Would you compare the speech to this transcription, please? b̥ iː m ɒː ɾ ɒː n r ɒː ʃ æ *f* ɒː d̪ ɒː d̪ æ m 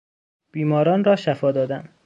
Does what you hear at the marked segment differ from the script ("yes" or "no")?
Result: no